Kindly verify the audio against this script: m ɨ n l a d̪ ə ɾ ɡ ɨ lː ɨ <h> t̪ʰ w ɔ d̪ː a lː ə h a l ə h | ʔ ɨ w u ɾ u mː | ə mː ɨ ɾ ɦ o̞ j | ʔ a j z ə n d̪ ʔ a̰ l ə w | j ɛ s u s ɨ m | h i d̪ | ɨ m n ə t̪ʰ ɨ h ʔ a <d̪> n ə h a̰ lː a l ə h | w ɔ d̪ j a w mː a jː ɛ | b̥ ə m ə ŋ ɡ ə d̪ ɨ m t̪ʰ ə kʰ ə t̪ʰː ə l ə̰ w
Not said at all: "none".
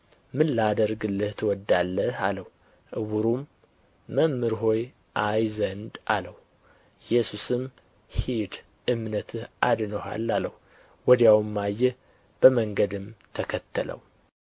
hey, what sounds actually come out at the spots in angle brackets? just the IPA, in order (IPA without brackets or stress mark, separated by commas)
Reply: h, d̪